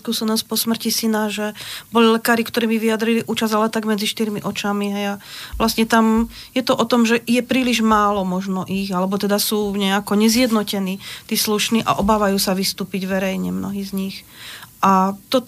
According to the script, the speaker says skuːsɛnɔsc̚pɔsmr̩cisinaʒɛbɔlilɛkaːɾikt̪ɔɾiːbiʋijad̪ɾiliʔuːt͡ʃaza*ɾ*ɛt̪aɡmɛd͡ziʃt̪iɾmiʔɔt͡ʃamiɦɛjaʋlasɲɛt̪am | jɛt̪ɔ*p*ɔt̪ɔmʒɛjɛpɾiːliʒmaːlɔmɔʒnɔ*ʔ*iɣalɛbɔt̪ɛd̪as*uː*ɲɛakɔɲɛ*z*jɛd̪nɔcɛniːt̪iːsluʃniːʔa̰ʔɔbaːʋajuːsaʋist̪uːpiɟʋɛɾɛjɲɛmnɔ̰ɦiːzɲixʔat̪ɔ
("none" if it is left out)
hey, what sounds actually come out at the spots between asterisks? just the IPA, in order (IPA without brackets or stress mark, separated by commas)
l, ʔ, ʔ, uː, z